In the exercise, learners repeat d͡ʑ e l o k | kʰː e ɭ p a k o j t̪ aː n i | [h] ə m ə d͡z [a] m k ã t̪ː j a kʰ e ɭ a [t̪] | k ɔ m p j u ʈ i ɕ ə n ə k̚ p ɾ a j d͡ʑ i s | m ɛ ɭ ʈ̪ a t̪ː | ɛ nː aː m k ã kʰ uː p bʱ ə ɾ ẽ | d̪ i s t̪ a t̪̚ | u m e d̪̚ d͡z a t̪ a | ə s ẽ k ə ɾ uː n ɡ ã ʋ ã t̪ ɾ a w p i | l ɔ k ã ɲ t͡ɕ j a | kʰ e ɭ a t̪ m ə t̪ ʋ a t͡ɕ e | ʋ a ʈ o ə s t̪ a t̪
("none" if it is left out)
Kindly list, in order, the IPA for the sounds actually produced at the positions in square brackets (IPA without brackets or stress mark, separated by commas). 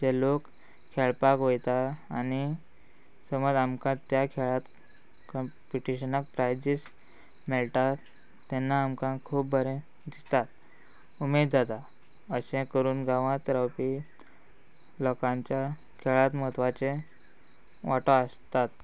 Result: s, a, t̪